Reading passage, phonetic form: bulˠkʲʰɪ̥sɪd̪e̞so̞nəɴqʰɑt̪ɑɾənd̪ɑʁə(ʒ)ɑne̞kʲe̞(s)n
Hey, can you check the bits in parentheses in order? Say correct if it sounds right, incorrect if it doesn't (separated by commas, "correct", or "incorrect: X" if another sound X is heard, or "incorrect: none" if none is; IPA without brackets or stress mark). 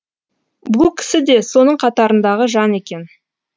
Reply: correct, incorrect: none